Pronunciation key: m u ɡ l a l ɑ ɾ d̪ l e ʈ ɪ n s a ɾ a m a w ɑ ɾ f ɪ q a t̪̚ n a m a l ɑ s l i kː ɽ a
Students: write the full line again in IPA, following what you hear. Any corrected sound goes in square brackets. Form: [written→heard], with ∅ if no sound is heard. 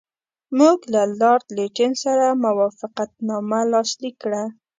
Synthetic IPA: m u ɡ l a l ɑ ɾ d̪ l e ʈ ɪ n s a ɾ a m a w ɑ [ɾ→∅] f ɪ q a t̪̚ n [a→ɑ] m a l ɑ s l i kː ɽ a

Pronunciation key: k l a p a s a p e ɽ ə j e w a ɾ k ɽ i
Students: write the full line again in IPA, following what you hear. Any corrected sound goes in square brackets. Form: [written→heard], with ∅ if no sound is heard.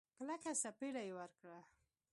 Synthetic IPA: k l a [p→k] a s a p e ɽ [ə→a] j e w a ɾ k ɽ [i→a]

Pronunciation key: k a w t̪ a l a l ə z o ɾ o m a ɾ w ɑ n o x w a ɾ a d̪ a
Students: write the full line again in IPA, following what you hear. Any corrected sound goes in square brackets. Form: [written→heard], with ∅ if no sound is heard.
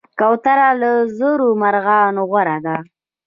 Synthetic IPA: k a w t̪ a [l→ɾ] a l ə z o ɾ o m a ɾ [w→ɣ] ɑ n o [x→ɣ] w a ɾ a d̪ a

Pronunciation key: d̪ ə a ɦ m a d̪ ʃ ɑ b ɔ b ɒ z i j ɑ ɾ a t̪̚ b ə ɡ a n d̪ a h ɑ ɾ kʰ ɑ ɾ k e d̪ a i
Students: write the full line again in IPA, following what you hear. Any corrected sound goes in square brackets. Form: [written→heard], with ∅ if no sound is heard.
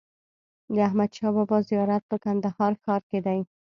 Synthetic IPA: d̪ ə a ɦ m a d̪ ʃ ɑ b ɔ b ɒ z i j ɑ ɾ a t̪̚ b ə [ɡ→k] a n d̪ a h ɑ ɾ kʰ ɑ ɾ k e d̪ a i

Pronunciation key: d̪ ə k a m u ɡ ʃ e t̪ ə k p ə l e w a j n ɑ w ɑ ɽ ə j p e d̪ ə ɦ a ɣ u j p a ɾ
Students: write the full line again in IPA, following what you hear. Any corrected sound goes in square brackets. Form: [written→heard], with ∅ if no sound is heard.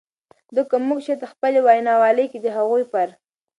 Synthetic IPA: d̪ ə k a m u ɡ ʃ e t̪ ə [k→x] p ə l e w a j n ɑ w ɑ [ɽ→l] ə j [p→k] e d̪ ə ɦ a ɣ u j p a ɾ

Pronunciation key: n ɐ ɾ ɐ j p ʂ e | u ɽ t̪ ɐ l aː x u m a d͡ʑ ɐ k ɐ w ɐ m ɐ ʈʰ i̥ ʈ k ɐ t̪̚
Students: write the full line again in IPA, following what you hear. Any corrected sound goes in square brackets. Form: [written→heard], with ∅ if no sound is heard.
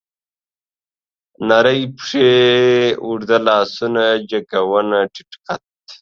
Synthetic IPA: n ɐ ɾ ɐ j p ʂ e | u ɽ [t̪→d̪] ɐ l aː [x→s] u [m→n] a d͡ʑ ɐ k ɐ w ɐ [m→n] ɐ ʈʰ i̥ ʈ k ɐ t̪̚

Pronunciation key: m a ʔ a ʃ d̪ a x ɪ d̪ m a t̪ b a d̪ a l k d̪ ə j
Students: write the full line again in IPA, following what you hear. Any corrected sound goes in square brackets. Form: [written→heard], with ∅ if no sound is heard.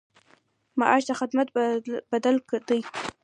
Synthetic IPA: m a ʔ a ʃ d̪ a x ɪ d̪ m a t̪ b a d̪ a l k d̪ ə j

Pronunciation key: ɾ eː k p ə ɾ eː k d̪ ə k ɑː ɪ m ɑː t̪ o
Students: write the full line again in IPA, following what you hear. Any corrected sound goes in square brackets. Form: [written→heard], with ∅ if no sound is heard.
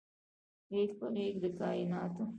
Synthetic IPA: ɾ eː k p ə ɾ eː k d̪ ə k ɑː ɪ [m→n] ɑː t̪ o

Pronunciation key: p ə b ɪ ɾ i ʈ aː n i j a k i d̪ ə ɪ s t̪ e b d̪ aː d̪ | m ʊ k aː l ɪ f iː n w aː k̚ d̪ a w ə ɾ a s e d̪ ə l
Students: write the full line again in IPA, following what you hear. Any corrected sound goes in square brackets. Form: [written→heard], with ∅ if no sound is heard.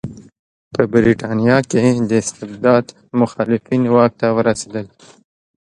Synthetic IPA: p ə b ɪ ɾ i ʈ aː n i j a k [i→e] d̪ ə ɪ s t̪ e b d̪ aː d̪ | m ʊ [k→x] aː l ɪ f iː n w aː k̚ [d̪→t̪] a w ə ɾ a s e d̪ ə l

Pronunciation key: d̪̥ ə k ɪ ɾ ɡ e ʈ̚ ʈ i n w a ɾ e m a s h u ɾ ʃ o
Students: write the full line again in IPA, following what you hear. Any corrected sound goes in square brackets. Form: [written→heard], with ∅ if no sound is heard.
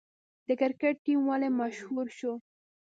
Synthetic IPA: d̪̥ ə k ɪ ɾ [ɡ→k] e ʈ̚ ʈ i [n→m] w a [ɾ→l] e m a [s→ʃ] h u ɾ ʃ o

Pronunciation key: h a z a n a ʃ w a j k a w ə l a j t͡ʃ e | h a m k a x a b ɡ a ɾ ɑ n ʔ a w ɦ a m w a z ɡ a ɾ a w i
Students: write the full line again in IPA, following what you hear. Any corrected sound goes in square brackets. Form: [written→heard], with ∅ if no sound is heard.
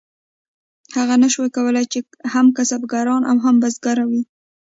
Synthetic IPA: h a [z→ɣ] a n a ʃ w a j k a w ə l a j t͡ʃ e | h a m k a [x→s] a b ɡ a ɾ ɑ n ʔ a w ɦ a m [w→b] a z ɡ a ɾ a w i

